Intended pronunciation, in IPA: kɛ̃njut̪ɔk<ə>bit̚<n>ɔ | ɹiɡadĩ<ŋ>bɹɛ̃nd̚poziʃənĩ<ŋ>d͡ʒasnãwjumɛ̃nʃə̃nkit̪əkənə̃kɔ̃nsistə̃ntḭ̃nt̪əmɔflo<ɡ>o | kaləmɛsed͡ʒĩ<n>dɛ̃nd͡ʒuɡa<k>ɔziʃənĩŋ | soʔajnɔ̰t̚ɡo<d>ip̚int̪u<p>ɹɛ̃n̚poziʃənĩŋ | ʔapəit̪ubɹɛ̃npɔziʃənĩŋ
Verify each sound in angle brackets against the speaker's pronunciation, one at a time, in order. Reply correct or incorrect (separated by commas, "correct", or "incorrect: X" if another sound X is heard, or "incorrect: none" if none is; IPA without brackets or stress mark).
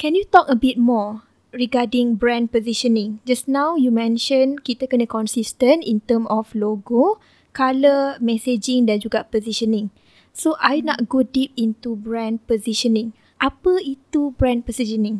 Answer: correct, incorrect: m, correct, correct, correct, incorrect: ŋ, incorrect: p, correct, incorrect: b